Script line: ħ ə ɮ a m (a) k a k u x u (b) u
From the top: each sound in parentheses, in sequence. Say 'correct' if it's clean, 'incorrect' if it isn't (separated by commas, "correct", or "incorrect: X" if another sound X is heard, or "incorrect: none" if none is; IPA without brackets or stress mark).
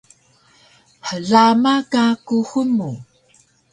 correct, incorrect: m